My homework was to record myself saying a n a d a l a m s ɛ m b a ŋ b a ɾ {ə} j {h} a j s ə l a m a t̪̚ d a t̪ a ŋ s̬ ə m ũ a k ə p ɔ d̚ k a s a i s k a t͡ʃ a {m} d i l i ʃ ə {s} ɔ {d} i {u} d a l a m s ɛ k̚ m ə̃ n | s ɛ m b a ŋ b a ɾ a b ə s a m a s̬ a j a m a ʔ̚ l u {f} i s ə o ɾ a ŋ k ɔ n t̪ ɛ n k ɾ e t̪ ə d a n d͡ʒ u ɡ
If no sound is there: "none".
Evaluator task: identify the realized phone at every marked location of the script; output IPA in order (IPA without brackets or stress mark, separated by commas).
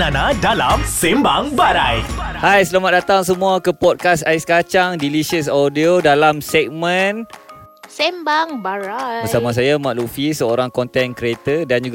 a, h, ŋ, s, d, o, f